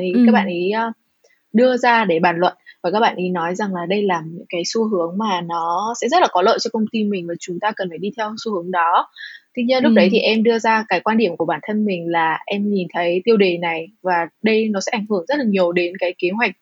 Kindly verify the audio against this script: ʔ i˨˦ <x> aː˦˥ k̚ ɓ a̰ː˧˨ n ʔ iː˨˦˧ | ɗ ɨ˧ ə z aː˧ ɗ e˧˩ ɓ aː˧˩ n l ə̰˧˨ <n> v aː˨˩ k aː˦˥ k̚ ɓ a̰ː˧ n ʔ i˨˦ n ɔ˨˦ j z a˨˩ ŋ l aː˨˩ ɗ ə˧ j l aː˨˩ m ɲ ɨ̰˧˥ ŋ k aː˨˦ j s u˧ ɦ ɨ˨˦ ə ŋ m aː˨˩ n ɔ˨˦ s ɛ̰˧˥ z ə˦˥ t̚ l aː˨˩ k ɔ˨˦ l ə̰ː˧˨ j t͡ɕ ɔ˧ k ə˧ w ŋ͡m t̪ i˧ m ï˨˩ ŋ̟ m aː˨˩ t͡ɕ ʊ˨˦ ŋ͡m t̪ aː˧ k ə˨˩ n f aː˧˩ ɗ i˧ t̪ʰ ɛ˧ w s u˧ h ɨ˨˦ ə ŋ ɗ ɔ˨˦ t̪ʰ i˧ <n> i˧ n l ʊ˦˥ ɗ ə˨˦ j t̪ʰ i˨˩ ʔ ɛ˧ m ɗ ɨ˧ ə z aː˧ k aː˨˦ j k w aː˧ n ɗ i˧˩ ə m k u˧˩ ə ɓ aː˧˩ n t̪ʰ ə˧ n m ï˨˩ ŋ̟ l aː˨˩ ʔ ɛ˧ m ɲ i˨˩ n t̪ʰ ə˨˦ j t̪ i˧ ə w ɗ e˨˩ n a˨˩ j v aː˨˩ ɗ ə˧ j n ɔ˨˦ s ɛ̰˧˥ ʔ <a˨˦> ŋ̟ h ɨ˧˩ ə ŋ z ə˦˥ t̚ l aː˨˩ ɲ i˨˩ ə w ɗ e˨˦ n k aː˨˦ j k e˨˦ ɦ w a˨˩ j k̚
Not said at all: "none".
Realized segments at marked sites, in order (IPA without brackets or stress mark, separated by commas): k, n, ɲ, a˧˩